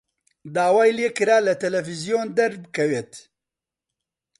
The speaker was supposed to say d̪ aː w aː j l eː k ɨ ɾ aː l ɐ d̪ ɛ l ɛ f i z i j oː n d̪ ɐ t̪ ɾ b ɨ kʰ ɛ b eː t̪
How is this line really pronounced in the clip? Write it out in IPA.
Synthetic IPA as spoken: d̪ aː w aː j l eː k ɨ ɾ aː l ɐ t̪ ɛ l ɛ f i z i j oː n d̪ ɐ ɾ b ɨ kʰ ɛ w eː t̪